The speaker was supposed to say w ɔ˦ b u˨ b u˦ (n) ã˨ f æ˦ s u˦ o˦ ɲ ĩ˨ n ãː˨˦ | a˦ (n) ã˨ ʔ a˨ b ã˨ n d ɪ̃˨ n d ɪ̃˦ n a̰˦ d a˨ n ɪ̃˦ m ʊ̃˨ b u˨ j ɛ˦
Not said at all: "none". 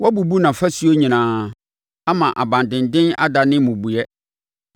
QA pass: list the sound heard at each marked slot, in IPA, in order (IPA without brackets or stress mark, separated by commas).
n, m